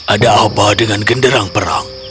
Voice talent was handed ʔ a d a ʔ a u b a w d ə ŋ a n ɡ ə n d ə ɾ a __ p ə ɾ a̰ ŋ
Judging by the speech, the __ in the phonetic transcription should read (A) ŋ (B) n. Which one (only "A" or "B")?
A